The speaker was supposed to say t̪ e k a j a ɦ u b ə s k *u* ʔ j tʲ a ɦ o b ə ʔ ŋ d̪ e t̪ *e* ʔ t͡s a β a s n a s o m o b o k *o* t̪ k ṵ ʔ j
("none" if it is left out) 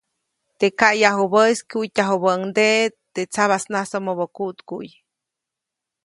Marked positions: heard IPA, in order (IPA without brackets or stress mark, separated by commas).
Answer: u, e, u